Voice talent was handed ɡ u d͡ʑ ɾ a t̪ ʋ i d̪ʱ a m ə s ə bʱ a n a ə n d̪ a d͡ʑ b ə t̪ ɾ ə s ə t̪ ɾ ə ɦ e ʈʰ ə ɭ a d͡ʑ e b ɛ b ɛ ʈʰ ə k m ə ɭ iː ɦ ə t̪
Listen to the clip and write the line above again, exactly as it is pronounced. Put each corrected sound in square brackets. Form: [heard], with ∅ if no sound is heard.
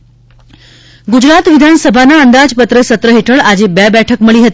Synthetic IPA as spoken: ɡ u d͡ʑ ɾ a t̪ ʋ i d̪ʱ a [n] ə s ə bʱ a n a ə n d̪ a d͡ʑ [p] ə t̪ ɾ ə s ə t̪ ɾ ə ɦ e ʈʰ ə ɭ a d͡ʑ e b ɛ b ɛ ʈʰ ə k m ə ɭ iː ɦ ə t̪